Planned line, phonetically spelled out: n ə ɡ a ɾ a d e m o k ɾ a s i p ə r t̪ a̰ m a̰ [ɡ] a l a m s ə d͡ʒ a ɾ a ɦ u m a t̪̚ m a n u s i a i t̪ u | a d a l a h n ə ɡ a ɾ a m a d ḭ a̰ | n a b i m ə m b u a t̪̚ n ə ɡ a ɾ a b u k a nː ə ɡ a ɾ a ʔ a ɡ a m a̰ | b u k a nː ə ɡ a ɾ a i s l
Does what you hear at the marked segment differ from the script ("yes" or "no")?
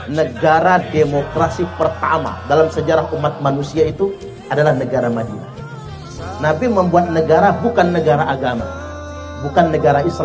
yes